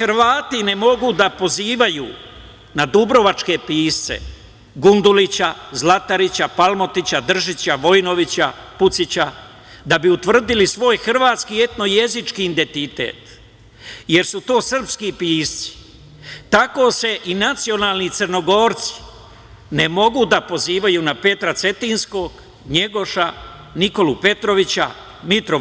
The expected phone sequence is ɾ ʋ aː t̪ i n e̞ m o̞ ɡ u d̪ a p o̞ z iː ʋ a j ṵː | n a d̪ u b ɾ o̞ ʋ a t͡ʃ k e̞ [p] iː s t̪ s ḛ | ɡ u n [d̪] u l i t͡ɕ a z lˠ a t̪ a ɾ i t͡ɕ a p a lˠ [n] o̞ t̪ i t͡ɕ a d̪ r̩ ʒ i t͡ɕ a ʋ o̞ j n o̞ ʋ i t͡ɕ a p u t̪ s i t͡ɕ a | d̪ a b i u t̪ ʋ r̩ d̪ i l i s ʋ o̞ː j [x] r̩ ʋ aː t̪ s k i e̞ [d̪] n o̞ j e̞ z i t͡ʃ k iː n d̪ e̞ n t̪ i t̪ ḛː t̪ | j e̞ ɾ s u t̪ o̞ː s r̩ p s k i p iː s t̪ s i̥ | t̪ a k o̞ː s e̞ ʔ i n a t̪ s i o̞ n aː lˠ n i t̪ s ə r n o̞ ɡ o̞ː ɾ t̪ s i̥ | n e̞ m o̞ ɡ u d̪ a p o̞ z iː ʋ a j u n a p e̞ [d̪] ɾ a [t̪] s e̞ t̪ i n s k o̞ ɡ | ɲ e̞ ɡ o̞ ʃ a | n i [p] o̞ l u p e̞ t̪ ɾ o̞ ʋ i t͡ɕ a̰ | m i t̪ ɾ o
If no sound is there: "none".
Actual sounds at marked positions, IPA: p, d̪, m, x, t̪, t̪, t̪, k

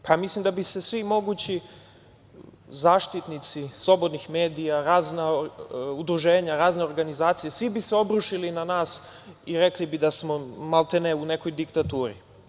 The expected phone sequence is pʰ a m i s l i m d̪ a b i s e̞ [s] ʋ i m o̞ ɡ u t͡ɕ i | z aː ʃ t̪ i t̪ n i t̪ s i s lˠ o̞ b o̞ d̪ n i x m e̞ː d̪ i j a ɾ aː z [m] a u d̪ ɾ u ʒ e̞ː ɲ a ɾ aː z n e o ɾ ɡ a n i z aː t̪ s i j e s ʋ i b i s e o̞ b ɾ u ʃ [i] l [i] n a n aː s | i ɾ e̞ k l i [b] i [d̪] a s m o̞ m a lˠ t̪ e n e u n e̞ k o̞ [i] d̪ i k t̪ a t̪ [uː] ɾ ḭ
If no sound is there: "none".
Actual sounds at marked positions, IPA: s, n, i, i, b, d̪, j, uː

